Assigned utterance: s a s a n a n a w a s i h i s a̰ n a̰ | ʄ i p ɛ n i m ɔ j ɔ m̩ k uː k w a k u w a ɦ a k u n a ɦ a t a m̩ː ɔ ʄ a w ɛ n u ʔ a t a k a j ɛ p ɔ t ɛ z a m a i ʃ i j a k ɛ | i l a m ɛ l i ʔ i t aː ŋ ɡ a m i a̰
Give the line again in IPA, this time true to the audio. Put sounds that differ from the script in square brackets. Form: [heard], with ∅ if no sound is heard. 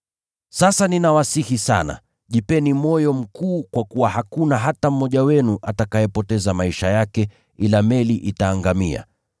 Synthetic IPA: s a s a n [i] n a w a s i h i s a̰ n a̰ | ʄ i p ɛ n i m ɔ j ɔ m̩ k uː k w a k u w a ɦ a k u n a ɦ a t a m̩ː ɔ ʄ a w ɛ n u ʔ a t a k a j ɛ p ɔ t ɛ z a m a i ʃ [a] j a k ɛ | i l a m ɛ l i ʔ i t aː ŋ ɡ a m i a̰